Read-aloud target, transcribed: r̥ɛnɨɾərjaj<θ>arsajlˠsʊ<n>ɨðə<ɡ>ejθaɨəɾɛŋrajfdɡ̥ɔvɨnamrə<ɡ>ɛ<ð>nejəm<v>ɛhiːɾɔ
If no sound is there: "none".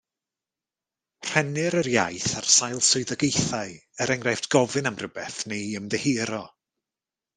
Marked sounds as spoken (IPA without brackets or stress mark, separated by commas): θ, none, ɡ, b, θ, ð